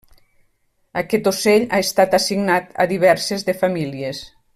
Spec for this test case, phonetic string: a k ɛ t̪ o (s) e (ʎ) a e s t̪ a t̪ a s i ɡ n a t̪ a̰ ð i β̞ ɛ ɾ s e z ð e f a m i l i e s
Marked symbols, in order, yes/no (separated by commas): yes, yes